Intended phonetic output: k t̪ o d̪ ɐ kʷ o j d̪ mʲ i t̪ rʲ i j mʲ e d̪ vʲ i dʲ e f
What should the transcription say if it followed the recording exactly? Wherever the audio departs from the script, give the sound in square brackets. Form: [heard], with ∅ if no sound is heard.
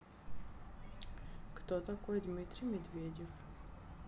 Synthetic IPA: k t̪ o [t̪] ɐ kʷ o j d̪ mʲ i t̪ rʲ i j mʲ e d̪ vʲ [e] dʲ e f